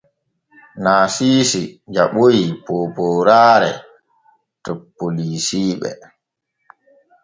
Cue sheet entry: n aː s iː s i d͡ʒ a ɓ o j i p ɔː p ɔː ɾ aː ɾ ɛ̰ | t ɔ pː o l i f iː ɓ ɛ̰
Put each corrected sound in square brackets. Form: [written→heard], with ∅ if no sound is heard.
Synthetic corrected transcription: n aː s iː s i d͡ʒ a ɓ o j i p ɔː p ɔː ɾ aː ɾ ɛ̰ | t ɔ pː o l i [f→s] iː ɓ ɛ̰